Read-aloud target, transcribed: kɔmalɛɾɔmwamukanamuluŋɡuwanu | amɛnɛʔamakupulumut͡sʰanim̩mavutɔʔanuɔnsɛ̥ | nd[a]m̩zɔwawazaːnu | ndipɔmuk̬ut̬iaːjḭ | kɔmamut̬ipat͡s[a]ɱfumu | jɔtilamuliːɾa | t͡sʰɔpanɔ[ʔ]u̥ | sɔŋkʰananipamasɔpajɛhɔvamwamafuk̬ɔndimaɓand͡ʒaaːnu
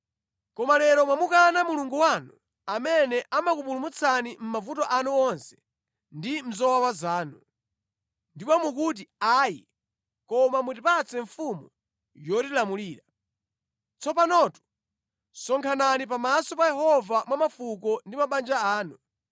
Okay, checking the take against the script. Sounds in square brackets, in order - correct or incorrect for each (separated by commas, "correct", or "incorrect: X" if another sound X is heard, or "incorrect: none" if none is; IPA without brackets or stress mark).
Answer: incorrect: i, incorrect: ɛ, incorrect: t